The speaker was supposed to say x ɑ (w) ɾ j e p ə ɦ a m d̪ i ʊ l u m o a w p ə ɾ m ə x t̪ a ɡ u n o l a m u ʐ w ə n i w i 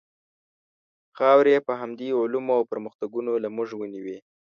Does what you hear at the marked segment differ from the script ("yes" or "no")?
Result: no